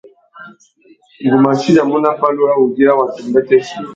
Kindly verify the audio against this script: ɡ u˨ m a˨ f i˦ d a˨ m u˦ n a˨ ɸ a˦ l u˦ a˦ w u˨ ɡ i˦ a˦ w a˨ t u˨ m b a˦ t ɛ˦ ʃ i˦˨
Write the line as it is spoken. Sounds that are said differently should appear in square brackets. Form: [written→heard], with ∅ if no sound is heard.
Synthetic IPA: ɡ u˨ m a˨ [f→ʃ] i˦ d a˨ m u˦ n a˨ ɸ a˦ l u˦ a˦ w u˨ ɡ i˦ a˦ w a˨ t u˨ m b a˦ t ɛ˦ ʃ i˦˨